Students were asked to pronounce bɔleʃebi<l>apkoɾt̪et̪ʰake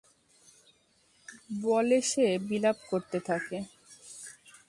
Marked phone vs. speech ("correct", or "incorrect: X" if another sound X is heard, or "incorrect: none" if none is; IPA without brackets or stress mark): correct